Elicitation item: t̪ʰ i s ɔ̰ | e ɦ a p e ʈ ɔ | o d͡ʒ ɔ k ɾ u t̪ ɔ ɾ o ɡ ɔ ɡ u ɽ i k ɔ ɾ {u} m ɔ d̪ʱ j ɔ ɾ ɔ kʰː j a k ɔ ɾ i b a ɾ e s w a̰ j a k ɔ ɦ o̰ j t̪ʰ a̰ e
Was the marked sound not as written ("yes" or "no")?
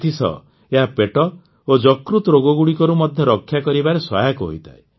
no